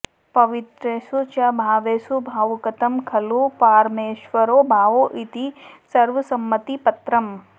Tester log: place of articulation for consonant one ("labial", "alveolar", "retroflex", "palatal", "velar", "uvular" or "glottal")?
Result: labial